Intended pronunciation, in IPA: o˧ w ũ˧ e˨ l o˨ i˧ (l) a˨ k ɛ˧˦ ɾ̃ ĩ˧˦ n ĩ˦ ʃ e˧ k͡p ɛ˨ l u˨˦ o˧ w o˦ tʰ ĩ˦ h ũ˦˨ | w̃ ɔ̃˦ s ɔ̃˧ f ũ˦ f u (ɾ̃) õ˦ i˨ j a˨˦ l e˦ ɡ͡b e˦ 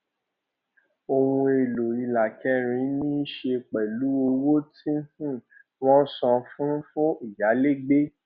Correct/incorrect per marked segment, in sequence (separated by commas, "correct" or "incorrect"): correct, incorrect